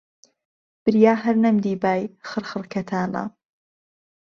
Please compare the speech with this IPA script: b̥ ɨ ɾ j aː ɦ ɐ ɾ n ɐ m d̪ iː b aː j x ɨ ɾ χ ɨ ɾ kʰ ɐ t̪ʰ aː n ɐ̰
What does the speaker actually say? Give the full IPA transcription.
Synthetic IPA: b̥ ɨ ɾ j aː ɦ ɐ ɾ n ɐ m d̪ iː b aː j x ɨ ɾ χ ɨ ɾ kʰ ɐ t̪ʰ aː n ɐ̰